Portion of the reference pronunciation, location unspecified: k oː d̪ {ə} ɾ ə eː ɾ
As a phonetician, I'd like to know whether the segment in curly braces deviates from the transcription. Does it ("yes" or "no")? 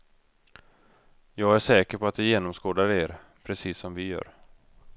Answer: yes